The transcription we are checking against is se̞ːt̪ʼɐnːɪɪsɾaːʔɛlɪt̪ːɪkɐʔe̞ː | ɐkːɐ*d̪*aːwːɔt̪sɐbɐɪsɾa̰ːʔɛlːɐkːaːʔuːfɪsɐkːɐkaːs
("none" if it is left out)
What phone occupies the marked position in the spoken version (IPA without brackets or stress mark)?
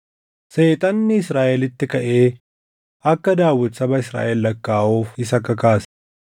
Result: d̪